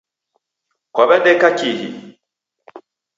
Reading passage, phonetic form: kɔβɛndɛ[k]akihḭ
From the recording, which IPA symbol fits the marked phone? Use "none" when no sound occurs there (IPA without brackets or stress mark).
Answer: k